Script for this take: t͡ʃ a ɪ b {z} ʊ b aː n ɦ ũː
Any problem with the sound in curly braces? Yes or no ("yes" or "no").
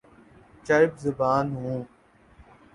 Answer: no